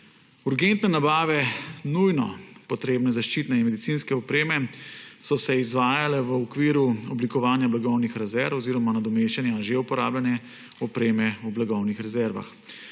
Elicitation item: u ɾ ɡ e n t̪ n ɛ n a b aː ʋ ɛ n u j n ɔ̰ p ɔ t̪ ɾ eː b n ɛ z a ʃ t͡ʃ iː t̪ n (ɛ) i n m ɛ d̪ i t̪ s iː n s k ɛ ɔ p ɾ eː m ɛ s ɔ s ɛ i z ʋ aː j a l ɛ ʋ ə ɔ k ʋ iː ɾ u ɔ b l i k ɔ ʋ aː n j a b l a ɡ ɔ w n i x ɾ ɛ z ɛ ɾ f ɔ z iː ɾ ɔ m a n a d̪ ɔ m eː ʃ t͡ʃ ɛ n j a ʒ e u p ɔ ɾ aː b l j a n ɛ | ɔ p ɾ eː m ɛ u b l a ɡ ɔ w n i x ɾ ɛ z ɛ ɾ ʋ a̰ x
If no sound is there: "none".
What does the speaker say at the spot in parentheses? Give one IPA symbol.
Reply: ɛ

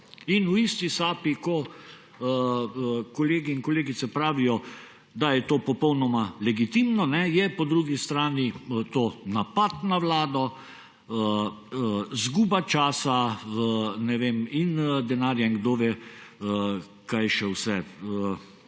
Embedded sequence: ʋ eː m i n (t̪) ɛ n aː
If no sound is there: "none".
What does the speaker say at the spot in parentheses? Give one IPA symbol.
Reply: d̪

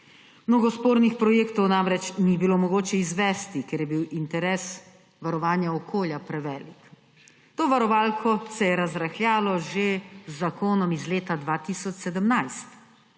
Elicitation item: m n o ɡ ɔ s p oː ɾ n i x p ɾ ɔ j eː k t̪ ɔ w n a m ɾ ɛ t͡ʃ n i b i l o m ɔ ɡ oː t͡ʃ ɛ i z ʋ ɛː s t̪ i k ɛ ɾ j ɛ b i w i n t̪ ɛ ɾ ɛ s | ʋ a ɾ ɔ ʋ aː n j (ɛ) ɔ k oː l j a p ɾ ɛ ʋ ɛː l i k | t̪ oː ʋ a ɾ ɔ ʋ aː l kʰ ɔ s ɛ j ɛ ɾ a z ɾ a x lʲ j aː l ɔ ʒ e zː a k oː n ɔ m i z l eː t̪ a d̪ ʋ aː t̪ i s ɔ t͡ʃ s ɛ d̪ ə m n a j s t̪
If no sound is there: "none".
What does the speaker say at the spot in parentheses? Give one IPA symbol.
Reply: a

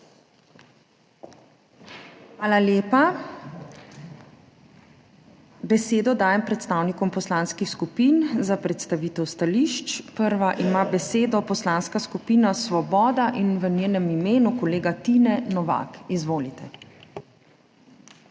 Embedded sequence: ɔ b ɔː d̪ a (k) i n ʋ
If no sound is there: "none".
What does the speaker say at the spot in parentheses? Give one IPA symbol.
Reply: ʔ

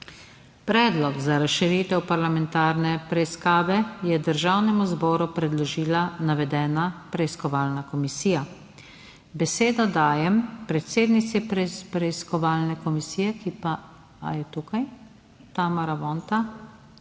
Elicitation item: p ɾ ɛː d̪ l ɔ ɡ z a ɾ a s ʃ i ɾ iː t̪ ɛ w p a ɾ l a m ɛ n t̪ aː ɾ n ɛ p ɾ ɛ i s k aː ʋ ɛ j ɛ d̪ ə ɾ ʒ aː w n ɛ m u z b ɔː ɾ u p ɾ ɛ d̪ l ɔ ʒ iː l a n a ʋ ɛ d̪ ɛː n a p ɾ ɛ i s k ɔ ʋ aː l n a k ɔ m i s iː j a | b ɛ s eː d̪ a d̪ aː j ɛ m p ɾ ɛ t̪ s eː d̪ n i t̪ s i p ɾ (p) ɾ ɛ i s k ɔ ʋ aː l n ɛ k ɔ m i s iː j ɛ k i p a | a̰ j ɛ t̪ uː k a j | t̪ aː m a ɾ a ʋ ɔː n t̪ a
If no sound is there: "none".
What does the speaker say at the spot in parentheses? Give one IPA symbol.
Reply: p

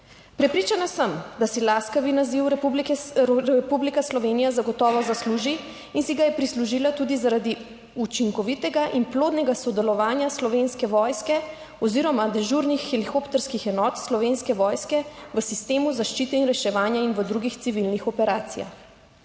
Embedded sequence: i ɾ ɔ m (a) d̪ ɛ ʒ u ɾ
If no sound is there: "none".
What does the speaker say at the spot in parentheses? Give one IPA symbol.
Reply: a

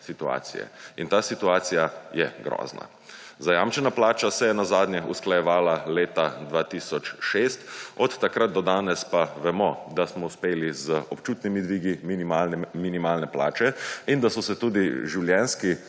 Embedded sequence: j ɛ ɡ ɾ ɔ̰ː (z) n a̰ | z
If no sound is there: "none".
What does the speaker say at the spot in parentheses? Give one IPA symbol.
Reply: z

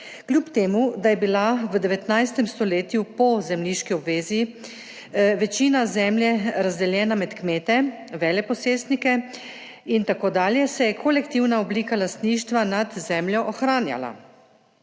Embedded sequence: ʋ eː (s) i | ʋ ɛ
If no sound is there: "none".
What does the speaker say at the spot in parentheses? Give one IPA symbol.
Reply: z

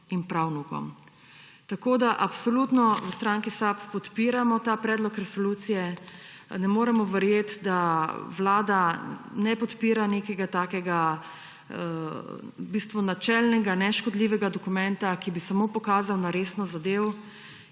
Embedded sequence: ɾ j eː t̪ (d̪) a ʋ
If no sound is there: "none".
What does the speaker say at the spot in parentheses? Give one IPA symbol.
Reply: d̪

